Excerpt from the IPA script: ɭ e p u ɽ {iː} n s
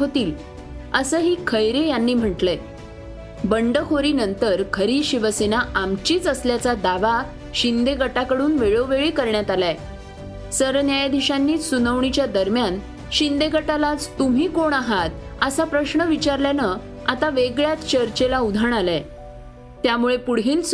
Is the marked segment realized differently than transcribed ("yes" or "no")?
no